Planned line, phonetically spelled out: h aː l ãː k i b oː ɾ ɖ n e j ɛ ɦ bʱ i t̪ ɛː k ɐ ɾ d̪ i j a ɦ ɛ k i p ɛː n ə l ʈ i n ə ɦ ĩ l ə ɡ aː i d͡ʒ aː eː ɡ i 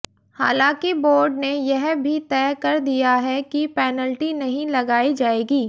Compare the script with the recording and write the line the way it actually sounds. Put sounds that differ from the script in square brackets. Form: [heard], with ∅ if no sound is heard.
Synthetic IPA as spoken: h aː l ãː k i b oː ɾ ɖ n e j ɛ ɦ bʱ i t̪ ɛː k ɐ ɾ d̪ i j a ɦ ɛ k i p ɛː n ə l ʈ i n [ɐ] ɦ ĩ l [ɐ] ɡ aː i d͡ʒ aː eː ɡ [iː]